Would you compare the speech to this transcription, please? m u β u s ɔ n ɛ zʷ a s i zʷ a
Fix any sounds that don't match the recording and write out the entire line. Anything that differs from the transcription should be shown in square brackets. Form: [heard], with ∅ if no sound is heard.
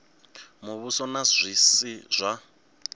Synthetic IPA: m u β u s ɔ n [a] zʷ [i] s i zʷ a